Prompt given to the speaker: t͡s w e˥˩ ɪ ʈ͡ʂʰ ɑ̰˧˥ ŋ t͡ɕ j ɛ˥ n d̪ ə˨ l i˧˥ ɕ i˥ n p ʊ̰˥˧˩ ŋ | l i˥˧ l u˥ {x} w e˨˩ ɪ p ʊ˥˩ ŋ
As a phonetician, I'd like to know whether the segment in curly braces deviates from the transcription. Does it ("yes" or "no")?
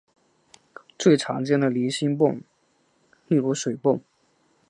yes